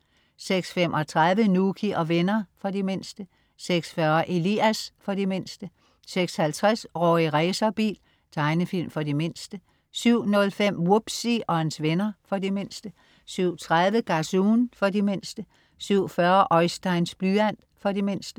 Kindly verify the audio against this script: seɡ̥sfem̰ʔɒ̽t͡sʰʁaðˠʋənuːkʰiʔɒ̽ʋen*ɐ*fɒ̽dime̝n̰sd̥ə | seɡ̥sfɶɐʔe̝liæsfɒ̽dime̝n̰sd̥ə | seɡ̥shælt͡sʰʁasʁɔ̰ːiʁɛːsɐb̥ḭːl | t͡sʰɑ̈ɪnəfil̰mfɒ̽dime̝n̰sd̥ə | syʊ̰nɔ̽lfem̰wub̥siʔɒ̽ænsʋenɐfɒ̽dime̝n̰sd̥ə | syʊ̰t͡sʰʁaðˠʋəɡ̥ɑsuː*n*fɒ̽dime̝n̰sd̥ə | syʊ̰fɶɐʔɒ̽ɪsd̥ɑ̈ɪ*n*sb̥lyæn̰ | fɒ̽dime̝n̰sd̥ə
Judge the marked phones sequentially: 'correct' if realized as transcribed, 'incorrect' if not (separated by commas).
correct, correct, correct